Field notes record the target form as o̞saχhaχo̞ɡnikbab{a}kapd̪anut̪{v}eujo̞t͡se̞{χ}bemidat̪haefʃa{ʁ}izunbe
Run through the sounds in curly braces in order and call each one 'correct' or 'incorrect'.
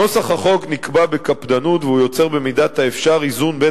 incorrect: e, correct, incorrect: ʁ, correct

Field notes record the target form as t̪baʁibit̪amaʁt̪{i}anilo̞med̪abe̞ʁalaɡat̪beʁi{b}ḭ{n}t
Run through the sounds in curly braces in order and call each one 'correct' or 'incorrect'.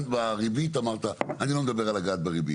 incorrect: a, correct, incorrect: none

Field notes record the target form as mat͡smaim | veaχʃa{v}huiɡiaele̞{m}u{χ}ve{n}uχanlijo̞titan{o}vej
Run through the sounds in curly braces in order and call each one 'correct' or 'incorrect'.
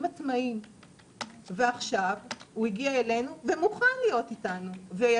correct, incorrect: n, incorrect: none, incorrect: m, incorrect: u

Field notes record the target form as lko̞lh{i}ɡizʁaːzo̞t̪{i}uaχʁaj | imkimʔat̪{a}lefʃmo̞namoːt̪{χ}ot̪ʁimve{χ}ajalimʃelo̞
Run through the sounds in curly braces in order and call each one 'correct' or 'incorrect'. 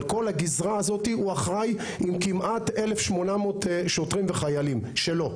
incorrect: a, correct, incorrect: e, incorrect: ʃ, correct

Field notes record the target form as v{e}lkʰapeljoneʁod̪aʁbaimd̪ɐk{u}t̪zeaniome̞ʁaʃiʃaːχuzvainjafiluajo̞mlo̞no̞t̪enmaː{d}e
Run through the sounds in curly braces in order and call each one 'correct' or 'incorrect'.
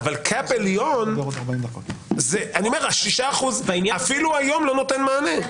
incorrect: a, incorrect: o, incorrect: n

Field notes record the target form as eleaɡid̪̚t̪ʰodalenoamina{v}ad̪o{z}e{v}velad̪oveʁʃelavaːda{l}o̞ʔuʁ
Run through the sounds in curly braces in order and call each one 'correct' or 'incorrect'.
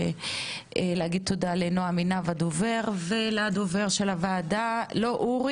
correct, incorrect: v, incorrect: ʁ, correct

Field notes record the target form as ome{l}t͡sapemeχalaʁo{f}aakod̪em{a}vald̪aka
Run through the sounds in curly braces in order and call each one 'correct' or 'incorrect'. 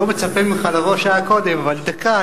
incorrect: none, incorrect: ʃ, correct

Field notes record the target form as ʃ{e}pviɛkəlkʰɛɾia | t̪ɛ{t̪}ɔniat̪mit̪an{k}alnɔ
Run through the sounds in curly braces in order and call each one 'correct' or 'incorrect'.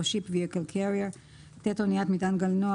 incorrect: i, correct, incorrect: ɡ

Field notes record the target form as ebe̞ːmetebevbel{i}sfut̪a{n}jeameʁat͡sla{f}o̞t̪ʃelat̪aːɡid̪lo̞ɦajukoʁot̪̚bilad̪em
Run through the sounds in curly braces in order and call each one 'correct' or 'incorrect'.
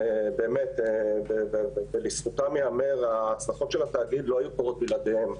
correct, incorrect: m, incorrect: χ

